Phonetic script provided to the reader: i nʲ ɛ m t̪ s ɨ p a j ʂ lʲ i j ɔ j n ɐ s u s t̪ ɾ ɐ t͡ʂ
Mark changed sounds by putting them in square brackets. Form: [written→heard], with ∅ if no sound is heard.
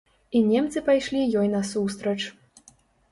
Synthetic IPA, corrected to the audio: i nʲ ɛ m t̪ s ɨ p a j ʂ lʲ i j ɔ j n ɐ s u s t̪ ɾ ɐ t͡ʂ